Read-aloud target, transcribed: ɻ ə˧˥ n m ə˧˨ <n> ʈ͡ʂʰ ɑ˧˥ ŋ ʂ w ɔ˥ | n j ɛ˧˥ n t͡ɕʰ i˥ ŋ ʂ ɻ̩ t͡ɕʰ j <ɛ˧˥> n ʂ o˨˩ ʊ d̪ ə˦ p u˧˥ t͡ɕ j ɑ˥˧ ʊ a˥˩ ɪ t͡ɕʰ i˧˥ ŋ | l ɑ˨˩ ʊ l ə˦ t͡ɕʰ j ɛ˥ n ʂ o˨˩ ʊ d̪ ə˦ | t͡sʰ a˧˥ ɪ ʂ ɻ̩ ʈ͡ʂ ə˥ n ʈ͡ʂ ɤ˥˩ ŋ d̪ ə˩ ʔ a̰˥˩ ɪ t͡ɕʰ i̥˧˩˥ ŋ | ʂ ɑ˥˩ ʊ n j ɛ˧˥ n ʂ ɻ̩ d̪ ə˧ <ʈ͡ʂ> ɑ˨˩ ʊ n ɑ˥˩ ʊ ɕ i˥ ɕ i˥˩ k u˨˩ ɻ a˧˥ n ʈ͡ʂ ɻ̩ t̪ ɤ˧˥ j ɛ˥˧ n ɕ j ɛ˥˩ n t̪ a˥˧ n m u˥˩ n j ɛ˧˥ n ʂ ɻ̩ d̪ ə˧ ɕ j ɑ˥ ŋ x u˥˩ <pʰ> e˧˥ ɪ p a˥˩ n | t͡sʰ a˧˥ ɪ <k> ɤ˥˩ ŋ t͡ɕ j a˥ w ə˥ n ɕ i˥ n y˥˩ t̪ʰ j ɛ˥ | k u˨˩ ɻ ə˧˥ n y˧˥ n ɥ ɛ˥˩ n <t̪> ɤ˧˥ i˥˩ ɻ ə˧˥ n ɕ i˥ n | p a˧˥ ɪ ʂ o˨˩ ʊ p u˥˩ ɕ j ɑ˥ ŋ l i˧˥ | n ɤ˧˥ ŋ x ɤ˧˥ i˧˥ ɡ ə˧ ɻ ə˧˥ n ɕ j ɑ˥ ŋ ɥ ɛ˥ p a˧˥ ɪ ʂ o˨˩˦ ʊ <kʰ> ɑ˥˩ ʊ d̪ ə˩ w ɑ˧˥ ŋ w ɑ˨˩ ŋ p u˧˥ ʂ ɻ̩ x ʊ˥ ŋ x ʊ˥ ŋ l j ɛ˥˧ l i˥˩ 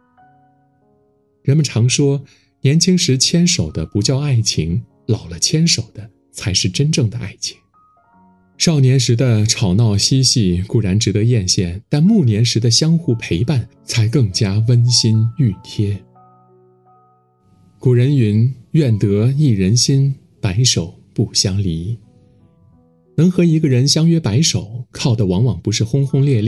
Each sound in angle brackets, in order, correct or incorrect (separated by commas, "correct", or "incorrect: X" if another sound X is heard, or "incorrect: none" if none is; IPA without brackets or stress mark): correct, incorrect: ɛ˥, incorrect: ʈ͡ʂʰ, correct, correct, correct, correct